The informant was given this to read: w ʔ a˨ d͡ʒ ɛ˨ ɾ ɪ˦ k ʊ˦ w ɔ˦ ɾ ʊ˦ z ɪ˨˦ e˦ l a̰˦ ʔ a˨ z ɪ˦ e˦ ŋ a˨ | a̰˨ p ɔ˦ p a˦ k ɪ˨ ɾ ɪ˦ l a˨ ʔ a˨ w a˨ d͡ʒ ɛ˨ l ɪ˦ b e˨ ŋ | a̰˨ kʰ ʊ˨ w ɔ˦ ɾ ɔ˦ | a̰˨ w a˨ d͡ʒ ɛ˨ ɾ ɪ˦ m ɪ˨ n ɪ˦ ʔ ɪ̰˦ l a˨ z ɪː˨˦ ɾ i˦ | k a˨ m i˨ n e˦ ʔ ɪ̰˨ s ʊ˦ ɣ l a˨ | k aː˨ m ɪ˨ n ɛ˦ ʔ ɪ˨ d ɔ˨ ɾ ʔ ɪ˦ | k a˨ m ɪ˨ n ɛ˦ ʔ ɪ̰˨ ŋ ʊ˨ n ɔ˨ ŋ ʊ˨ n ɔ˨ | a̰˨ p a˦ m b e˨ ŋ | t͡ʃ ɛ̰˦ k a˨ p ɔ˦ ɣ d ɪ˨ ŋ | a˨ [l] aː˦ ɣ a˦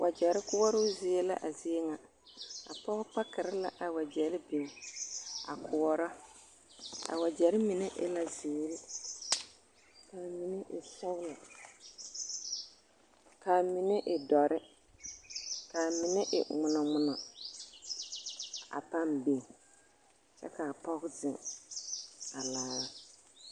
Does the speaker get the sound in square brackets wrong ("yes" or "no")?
no